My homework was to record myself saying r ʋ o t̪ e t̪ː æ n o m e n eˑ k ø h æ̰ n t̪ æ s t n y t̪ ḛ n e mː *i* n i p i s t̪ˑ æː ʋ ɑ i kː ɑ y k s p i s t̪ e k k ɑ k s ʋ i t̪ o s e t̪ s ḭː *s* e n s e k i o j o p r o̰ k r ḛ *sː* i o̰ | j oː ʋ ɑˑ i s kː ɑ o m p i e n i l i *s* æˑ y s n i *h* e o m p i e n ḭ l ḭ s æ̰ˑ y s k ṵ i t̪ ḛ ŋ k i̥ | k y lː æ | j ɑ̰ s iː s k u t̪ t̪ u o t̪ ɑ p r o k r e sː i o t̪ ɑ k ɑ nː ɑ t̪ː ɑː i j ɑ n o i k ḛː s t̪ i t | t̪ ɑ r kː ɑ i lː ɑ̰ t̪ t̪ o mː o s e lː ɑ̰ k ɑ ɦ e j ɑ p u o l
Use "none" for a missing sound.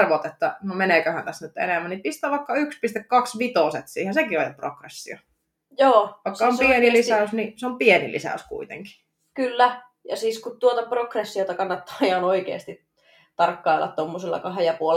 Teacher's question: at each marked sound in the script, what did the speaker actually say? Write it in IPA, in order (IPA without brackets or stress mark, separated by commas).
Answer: æ, h, sː, s, s